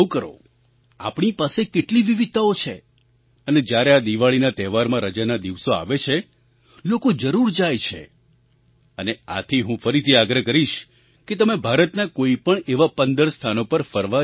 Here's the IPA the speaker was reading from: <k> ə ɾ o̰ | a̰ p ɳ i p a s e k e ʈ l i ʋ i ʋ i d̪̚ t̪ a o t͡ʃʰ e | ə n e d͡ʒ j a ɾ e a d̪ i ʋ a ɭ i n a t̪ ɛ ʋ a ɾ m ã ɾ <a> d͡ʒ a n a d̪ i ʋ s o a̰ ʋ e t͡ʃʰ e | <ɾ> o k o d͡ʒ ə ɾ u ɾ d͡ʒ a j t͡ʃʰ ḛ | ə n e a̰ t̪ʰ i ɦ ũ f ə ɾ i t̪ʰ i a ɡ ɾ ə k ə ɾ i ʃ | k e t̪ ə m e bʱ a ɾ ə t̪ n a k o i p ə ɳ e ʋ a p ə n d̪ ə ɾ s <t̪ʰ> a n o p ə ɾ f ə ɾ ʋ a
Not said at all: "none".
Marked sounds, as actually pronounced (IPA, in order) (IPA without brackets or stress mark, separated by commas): k, ə, l, t̪ʰ